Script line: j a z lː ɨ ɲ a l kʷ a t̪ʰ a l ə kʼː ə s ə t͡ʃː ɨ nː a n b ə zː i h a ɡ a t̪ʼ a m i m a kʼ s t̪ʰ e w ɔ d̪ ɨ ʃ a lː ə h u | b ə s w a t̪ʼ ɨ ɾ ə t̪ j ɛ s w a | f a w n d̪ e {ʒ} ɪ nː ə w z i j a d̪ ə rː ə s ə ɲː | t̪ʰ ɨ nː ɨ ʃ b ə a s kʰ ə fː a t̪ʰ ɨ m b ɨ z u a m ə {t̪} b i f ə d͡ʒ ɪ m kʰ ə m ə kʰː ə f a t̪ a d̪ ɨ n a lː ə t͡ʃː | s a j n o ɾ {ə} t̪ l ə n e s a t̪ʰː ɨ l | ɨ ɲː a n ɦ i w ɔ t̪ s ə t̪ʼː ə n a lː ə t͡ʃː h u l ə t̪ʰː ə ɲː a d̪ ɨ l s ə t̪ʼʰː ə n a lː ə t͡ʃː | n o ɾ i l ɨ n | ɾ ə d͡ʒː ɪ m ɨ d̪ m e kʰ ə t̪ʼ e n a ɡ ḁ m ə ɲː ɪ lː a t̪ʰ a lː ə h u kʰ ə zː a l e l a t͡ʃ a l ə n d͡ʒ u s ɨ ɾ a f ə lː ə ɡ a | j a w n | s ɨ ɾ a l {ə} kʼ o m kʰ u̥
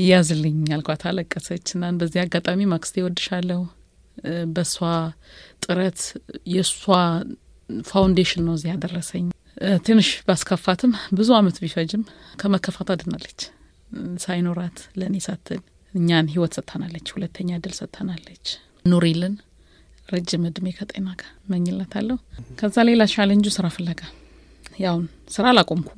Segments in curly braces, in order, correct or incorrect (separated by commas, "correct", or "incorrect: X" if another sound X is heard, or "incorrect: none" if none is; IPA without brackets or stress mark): incorrect: ʃ, correct, incorrect: a, incorrect: a